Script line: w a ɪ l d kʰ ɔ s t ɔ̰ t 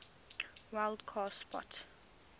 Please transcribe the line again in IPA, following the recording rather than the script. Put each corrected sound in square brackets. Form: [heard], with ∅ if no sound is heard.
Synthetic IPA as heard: w a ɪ l d kʰ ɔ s [p] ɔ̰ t